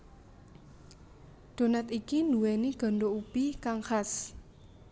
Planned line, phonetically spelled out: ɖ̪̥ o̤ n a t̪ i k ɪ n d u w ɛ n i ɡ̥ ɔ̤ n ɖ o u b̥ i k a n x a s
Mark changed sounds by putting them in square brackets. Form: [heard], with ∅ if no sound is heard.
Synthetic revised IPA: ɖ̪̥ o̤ n a t̪ i k [i] n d u w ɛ n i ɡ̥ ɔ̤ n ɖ o u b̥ i k a [ŋ] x a s